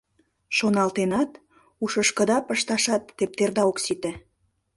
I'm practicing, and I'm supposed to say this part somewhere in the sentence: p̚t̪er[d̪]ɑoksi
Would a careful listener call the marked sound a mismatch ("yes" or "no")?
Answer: no